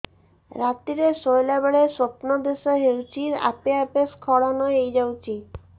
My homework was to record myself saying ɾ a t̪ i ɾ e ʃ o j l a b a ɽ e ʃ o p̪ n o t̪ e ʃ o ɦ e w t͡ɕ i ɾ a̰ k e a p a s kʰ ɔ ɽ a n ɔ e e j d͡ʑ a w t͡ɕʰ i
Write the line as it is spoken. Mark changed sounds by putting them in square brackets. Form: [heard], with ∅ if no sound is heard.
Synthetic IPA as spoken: ɾ a t̪ i ɾ e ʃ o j l a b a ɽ e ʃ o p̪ n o [d̪] e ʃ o ɦ e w t͡ɕ i ɾ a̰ [p] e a p [e] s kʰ ɔ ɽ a n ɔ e e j d͡ʑ a w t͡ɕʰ i